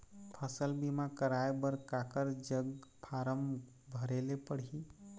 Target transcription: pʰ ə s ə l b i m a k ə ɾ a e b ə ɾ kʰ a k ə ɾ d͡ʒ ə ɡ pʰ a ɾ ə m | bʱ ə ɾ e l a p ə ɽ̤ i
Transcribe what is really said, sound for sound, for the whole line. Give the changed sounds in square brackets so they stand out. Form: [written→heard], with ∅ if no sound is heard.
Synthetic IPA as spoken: pʰ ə s ə l b i m a k ə ɾ a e b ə ɾ [kʰ→k] a k ə ɾ d͡ʒ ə ɡ pʰ a ɾ ə m | bʱ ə ɾ e l [a→e] p ə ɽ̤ i